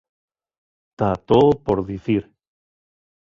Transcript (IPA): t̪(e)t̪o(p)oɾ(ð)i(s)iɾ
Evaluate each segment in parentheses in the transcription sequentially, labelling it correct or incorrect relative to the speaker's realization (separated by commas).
incorrect, correct, correct, incorrect